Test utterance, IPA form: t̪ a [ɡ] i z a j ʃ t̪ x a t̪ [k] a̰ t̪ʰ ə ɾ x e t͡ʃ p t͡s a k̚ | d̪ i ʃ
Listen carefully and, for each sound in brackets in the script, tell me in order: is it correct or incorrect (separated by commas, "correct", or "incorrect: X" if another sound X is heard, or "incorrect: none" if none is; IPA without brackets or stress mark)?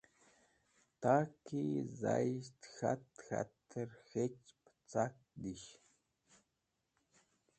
incorrect: k, incorrect: x